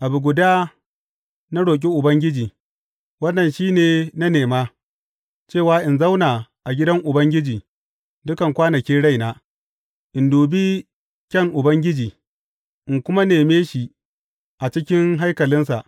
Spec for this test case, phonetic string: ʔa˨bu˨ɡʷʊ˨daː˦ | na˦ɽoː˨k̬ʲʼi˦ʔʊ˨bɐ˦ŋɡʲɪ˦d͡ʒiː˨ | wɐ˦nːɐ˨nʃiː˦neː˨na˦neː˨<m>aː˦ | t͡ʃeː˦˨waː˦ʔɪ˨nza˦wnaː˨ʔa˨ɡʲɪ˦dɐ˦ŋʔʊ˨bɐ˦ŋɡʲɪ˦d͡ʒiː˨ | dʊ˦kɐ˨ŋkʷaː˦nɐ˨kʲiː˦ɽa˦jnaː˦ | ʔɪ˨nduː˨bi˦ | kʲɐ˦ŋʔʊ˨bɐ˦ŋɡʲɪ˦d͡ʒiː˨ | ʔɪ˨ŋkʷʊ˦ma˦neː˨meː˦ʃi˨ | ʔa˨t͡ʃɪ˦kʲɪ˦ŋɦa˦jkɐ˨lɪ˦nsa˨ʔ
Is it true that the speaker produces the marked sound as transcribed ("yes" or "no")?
yes